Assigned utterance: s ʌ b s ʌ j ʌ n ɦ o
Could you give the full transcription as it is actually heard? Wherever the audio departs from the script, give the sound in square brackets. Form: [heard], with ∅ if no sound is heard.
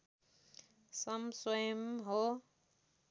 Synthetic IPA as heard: s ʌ [m] s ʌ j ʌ [m] ɦ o